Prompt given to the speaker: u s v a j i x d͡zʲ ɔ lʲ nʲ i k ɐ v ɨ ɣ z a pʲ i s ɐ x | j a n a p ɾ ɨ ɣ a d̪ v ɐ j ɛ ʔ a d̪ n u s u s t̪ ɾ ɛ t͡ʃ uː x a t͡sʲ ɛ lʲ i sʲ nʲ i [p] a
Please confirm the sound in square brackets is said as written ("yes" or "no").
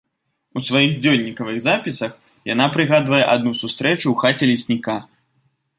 no